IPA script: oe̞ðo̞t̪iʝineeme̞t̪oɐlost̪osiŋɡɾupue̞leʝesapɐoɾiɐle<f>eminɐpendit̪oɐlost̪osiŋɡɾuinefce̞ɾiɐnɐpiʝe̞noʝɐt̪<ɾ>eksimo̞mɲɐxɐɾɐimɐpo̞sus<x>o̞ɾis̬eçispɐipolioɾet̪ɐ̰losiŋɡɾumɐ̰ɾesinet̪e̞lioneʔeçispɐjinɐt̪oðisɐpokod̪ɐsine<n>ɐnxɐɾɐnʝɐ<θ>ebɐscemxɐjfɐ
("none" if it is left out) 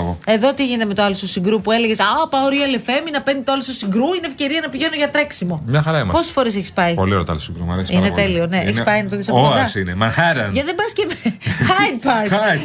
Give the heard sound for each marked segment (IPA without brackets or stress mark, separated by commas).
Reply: f, ɾ, f, m, ð